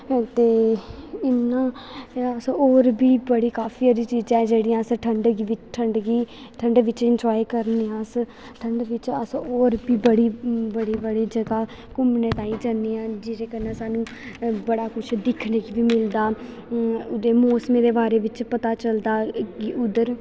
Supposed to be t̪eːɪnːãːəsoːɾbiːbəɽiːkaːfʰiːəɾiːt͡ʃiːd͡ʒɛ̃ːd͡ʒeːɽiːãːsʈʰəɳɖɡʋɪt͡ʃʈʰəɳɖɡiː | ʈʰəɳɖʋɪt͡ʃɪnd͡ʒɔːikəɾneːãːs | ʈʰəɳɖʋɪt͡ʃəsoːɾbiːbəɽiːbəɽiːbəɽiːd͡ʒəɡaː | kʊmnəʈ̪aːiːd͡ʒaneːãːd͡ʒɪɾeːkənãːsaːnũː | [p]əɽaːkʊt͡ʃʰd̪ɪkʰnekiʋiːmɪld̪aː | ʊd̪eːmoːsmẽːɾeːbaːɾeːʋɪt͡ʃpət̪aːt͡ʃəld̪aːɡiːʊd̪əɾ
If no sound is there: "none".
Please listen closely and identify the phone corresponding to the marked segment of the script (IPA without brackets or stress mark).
b